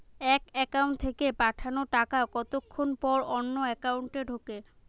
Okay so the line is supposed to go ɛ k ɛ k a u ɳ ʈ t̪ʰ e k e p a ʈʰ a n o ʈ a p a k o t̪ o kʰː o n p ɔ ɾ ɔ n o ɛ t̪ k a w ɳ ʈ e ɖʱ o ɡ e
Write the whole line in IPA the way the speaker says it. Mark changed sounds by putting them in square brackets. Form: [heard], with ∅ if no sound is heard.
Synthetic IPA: ɛ k ɛ k a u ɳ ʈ t̪ʰ e k e p a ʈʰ a n o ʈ a [k] a k [ɔ] t̪ o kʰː o n p ɔ ɾ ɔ [nː] o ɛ [∅] k a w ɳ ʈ e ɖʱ o [k] e